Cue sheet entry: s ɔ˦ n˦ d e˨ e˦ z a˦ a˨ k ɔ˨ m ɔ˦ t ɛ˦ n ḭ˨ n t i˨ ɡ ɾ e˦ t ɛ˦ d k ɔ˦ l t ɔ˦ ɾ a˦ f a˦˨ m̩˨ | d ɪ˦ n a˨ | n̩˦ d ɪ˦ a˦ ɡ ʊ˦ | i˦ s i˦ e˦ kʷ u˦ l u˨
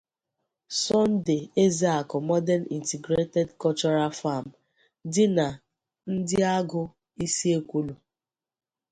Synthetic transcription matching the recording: s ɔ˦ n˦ d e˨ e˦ z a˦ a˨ k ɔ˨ m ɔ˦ d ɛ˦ n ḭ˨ n t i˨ ɡ ɾ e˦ t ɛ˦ d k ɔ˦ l t͡ʃ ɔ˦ ɾ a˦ f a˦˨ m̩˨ | d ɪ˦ n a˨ | n̩˦ d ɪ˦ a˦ ɡ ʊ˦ | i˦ s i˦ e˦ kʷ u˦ l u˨